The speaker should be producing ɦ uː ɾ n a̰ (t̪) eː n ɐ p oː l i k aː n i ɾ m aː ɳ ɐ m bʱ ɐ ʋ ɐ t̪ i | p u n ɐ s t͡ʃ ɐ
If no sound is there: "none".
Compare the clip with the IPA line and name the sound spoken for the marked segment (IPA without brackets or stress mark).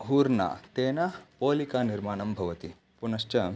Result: t̪